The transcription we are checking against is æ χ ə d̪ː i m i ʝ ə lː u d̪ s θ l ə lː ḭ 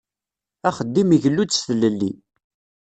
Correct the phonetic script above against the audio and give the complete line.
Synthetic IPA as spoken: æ χ ə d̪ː i m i ʝ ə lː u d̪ s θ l ə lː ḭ